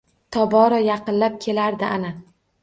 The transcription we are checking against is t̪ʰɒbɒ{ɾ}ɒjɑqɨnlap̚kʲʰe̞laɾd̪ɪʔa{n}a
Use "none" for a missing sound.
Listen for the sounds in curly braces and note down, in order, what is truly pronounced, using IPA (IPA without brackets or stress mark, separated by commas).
ɾ, n